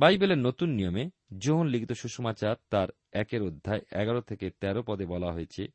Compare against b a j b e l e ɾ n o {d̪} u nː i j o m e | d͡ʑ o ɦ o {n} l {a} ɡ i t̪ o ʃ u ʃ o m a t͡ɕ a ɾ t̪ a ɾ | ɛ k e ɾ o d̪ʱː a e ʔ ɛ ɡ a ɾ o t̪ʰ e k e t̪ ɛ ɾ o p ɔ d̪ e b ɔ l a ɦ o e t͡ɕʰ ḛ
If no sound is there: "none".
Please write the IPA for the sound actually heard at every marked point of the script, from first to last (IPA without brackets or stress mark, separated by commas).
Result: t̪, n, i